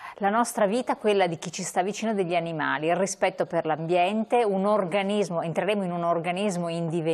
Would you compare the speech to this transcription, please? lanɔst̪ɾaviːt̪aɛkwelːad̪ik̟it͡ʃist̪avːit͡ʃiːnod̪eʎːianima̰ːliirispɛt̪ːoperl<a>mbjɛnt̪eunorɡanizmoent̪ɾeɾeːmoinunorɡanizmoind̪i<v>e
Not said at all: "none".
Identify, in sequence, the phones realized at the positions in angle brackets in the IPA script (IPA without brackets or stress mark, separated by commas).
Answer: a, v